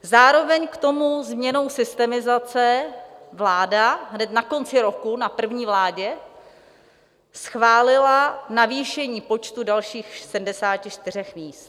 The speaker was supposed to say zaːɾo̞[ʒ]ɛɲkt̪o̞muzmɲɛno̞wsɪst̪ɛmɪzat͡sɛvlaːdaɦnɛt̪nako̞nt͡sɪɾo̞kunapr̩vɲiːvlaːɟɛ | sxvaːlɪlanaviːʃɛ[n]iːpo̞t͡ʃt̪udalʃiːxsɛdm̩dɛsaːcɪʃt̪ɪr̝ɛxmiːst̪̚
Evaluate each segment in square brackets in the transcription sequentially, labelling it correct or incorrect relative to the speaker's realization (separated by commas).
incorrect, incorrect